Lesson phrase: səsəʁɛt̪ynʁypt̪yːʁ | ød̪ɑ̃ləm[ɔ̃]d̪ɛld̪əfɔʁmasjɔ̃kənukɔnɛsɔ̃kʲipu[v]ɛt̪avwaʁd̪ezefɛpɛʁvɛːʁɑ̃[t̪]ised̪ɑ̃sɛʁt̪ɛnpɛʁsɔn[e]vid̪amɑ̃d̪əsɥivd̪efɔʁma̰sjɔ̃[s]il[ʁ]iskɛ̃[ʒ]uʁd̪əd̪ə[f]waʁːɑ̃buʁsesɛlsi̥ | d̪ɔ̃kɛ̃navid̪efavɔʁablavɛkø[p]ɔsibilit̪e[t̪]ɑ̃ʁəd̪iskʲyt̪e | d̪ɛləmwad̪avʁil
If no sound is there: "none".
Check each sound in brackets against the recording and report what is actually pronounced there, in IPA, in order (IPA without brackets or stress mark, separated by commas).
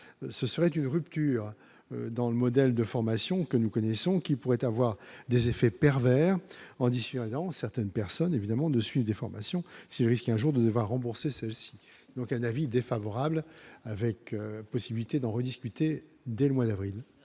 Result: ɔ, ʁ, d̪, e, s, ʁ, ʒ, v, p, d̪